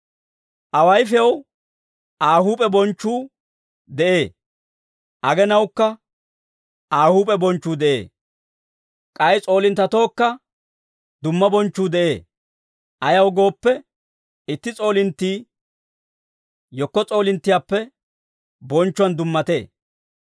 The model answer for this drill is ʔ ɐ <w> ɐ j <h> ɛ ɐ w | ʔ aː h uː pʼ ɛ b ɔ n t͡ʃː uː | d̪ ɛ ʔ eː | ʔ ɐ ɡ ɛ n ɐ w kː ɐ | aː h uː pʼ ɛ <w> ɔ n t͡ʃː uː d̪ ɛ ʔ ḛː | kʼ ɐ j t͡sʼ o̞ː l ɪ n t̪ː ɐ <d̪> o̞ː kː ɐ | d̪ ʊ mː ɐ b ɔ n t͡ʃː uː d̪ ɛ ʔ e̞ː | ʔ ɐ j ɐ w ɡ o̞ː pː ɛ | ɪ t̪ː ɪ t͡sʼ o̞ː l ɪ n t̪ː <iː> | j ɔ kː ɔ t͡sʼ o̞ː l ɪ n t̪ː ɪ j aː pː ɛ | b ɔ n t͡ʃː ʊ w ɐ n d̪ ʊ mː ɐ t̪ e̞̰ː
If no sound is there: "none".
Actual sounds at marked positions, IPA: w, f, b, t̪, iː

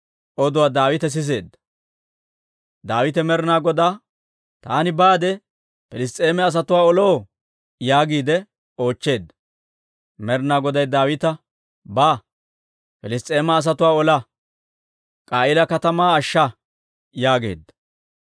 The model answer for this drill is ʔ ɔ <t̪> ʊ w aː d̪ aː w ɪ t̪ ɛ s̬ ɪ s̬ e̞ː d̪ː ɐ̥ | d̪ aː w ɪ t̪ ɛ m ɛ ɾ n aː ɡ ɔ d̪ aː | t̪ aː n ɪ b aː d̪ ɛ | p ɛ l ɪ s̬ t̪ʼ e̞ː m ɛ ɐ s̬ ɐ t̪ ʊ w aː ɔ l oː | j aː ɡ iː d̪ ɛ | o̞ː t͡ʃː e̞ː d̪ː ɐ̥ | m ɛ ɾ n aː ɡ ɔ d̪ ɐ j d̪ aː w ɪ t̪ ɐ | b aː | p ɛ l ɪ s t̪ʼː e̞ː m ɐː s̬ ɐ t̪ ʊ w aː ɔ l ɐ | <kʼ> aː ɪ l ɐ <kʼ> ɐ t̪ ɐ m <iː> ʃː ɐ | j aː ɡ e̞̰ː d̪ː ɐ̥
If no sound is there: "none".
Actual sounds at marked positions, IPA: d̪, kʼ, k, aː

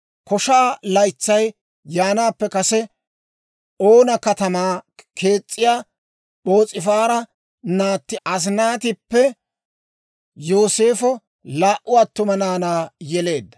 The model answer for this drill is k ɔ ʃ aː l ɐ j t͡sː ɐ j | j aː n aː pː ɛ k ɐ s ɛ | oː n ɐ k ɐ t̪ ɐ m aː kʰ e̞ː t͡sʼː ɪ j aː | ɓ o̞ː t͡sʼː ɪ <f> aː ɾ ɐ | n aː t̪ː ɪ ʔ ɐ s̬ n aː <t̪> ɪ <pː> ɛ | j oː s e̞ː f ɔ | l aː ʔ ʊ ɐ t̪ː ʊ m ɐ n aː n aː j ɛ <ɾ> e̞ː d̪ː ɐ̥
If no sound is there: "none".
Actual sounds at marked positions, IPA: f, t̪, pː, l

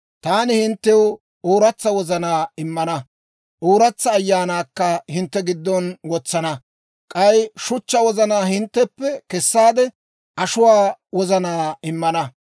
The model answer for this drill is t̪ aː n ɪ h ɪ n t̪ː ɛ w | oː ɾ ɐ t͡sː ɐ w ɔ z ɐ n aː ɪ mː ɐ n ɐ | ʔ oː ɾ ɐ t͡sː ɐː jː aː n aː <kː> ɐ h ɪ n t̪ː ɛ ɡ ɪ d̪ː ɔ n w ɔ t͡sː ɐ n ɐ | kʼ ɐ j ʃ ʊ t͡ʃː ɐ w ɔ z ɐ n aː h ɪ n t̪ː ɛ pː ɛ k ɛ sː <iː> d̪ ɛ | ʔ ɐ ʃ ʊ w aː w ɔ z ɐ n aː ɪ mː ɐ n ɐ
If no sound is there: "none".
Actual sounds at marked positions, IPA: kː, aː

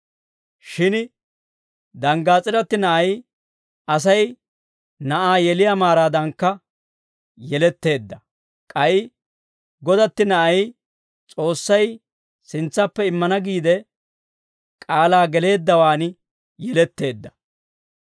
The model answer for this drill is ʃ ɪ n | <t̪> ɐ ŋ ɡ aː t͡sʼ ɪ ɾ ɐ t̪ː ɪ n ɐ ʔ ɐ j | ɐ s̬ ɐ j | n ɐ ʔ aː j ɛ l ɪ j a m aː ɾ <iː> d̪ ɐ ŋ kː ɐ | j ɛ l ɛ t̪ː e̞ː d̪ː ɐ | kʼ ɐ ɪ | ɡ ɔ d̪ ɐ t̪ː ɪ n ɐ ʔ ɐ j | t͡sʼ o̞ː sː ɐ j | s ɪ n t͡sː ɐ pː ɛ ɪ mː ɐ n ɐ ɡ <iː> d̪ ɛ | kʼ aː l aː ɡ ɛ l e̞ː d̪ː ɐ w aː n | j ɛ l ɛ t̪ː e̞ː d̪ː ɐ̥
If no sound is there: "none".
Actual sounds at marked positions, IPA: d̪, aː, iː

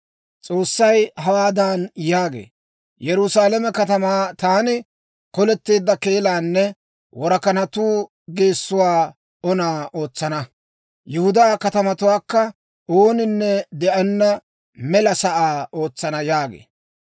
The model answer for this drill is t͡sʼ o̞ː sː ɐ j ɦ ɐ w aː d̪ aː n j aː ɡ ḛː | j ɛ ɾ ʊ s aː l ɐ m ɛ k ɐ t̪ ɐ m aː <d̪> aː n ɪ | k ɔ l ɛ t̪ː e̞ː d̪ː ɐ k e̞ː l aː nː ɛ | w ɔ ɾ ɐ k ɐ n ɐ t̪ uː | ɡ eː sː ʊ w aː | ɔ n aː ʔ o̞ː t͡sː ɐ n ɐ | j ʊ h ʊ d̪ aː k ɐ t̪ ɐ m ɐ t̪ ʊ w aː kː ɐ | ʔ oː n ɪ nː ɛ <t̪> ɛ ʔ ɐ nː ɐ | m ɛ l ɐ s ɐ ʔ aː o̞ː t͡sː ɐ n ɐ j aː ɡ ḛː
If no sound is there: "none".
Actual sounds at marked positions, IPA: t̪, d̪

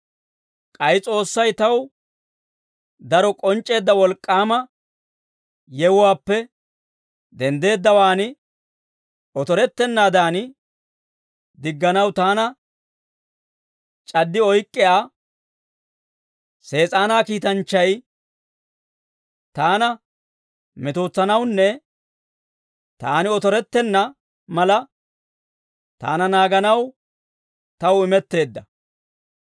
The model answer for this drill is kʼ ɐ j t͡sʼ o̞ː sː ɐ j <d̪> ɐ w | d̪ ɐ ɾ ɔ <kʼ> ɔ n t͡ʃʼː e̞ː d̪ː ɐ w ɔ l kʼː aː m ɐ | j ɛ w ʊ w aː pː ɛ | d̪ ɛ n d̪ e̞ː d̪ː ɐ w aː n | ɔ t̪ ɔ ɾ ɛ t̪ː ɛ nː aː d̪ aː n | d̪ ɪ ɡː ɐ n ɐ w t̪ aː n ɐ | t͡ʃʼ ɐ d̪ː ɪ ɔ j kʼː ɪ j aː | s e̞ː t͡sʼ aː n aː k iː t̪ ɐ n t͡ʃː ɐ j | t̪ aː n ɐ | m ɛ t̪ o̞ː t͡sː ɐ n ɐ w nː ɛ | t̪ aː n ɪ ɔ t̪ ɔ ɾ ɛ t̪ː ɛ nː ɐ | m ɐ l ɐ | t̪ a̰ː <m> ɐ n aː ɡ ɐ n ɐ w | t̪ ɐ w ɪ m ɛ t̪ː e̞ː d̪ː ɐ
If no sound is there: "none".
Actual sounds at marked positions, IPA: t̪, kʼ, n

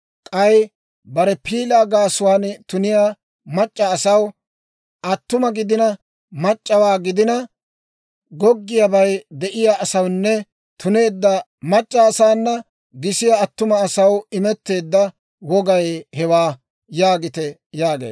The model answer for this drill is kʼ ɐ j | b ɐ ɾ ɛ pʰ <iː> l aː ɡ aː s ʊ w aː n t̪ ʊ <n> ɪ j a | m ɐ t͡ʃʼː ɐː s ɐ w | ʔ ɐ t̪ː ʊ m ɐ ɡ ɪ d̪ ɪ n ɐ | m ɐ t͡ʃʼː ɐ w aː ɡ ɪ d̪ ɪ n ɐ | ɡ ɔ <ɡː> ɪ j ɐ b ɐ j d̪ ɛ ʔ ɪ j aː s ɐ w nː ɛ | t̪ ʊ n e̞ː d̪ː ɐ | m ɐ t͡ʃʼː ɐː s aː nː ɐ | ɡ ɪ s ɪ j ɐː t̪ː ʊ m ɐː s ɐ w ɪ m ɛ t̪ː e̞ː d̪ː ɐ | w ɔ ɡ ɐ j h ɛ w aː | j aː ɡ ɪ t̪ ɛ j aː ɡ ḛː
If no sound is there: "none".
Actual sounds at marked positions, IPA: iː, n, ɡː

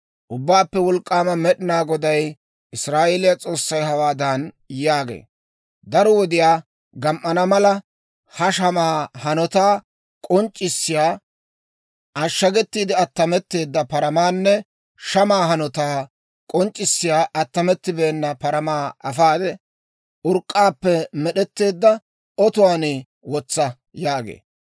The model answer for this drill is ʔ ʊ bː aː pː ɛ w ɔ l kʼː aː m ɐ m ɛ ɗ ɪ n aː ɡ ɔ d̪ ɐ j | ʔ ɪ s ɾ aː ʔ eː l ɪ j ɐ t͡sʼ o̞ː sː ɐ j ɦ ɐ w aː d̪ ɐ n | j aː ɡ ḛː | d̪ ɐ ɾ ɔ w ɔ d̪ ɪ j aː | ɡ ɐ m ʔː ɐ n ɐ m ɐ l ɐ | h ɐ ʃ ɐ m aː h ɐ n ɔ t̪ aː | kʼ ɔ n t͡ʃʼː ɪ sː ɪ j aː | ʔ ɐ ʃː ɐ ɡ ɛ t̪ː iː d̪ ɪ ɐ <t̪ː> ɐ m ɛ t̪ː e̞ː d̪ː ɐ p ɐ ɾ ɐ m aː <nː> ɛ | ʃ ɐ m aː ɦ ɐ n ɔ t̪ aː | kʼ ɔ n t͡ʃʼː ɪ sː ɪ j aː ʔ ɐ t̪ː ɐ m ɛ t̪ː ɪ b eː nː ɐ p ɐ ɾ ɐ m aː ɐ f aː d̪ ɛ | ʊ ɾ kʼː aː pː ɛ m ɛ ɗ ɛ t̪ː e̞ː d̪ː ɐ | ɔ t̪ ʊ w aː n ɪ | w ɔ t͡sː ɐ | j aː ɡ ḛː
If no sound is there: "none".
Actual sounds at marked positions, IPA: t̪ː, nː

